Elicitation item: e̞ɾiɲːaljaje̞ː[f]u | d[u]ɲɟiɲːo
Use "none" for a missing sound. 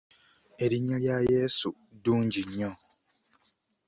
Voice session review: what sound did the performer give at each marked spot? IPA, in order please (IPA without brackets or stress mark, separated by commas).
s, uː